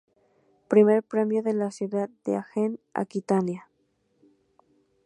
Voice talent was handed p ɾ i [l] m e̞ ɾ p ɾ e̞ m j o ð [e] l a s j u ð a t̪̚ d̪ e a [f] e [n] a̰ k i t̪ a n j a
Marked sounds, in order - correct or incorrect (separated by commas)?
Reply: incorrect, correct, incorrect, correct